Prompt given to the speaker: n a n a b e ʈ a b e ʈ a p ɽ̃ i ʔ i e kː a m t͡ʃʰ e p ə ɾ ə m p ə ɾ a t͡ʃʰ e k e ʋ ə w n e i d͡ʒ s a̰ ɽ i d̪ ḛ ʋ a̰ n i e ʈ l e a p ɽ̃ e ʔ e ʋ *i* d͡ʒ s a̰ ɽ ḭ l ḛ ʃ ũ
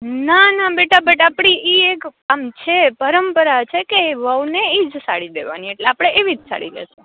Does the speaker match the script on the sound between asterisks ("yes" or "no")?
yes